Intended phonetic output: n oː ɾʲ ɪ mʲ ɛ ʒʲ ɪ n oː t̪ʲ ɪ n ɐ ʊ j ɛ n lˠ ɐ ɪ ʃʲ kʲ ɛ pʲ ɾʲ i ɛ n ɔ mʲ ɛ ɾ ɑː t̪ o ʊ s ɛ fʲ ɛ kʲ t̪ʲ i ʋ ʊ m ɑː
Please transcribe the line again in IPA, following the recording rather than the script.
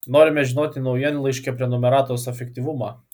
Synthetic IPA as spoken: n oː ɾʲ ɪ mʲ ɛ ʒʲ ɪ n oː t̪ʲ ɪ n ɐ ʊ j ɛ n lˠ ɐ ɪ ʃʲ kʲ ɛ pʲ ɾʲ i ɛ n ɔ mʲ ɛ ɾ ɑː t̪ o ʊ s ɛ fʲ ɛ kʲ t̪ʲ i ʋ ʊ m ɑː